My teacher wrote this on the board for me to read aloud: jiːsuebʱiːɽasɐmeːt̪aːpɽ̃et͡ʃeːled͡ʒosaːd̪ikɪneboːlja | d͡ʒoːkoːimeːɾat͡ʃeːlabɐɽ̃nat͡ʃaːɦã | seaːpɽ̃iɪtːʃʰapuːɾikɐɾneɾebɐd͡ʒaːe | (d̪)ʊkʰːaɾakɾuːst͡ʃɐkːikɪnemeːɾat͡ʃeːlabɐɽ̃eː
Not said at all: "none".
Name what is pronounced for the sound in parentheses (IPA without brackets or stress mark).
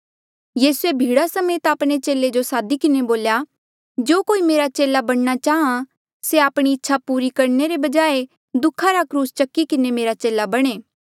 d̪